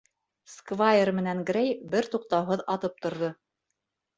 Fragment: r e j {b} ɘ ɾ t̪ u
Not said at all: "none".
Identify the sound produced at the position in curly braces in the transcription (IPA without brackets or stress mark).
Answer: b